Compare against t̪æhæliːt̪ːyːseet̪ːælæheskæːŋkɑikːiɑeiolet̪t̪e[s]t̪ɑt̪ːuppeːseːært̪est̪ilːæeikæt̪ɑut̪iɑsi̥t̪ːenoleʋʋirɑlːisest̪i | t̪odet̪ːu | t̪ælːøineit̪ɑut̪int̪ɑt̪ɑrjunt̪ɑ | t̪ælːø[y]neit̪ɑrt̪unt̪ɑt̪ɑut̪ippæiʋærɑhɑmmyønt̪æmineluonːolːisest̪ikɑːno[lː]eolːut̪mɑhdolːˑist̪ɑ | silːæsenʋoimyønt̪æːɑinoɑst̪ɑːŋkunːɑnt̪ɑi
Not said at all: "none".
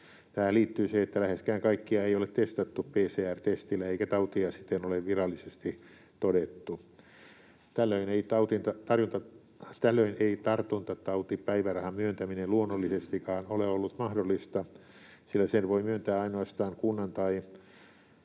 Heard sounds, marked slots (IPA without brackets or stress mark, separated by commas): s, i, l